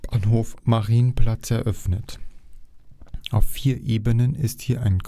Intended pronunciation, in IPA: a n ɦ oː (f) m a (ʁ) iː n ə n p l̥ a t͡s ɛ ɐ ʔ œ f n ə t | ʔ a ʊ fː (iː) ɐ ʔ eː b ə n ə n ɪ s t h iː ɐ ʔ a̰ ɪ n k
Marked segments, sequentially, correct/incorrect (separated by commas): correct, correct, correct